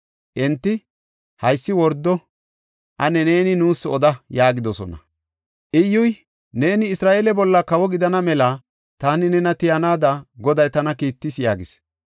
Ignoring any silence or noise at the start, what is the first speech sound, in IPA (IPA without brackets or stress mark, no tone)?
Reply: ʔ